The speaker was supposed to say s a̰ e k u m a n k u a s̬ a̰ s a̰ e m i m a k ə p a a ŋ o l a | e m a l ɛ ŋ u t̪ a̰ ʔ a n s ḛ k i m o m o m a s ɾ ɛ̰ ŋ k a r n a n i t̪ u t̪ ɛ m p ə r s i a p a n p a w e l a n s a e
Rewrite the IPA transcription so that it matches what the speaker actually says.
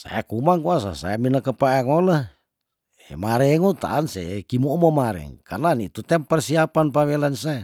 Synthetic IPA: s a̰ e k u m a ŋ k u a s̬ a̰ s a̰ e m i n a k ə p a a ŋ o l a | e m a ɾ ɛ ŋ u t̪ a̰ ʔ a n s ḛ k i m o m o m a ɾ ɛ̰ ŋ k a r n a n i t̪ u t̪ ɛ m p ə r s i a p a n p a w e l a n s a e

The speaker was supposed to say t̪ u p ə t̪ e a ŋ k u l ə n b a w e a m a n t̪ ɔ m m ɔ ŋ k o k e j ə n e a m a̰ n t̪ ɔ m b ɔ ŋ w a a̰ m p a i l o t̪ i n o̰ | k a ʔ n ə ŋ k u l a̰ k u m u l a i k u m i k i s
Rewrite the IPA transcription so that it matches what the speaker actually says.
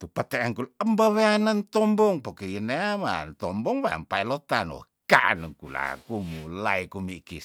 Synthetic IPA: t̪ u p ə t̪ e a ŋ k u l ə m b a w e a n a n t̪ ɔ m b ɔ ŋ p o k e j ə n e a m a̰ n t̪ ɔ m b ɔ ŋ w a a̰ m p a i l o t̪ a n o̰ | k a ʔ n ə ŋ k u l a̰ k u m u l a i k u m i k i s

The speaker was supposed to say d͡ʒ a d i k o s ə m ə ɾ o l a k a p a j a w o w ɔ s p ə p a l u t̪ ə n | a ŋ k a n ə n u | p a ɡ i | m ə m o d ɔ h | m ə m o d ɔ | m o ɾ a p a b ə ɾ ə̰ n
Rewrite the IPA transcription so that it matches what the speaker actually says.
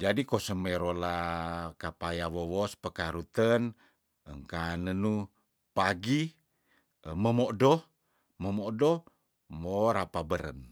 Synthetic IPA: d͡ʒ a d i k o s ə m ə ɾ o l a k a p a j a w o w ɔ s p ə k a ɾ u t̪ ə n | ə ŋ k a n ə n u | p a ɡ i | m ə m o d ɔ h | m ə m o d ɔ | m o ɾ a p a b ə ɾ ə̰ n

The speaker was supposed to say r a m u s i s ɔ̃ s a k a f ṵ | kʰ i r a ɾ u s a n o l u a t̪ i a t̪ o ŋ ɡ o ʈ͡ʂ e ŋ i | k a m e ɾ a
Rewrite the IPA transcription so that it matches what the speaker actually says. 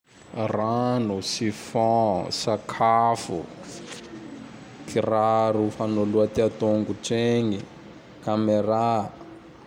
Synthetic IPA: r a n u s i f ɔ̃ s a kʰ a f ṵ | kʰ i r a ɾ u f a n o l u a t̪ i a t̪ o ŋ ɡ u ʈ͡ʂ e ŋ i | k a m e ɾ a

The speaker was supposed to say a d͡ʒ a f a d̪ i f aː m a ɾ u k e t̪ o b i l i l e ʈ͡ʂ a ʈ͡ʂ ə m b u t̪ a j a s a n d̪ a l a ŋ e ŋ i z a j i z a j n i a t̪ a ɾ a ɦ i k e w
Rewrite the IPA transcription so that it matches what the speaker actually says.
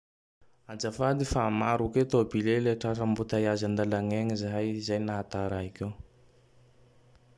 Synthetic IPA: a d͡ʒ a f a d̪ i f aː m a ɾ u k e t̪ o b i l e l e ʈ͡ʂ a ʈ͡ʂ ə m b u t̪ a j a z a n d̪ a l a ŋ e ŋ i z a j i z a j n a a t̪ a ɾ a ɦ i k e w

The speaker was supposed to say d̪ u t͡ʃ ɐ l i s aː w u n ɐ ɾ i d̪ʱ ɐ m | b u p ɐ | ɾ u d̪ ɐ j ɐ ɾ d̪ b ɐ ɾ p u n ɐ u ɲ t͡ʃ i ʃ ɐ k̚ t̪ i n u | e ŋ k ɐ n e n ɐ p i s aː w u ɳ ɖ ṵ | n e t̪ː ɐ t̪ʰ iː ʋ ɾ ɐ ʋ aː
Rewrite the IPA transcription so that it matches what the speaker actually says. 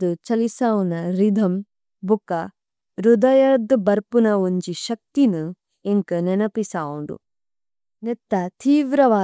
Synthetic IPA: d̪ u t͡ʃ ɐ l i s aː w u n ɐ ɾ i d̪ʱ ɐ m | b u k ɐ | ɾ u d̪ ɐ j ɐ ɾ d̪ b ɐ ɾ p u n ɐ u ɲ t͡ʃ i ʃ ɐ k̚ t̪ i n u | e ŋ k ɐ n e n ɐ p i s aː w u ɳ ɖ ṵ | n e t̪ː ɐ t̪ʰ iː ʋ ɾ ɐ ʋ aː

